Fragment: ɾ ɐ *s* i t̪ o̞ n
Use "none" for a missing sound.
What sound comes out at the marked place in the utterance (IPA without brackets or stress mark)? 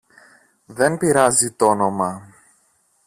z